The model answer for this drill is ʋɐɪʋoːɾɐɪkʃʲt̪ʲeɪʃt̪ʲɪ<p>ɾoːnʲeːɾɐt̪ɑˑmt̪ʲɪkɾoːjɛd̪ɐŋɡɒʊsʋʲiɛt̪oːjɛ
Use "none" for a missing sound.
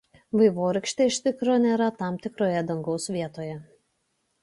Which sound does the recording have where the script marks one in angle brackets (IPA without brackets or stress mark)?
k